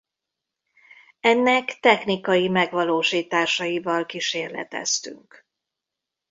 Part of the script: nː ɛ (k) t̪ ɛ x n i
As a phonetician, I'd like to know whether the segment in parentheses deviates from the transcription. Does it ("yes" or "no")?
no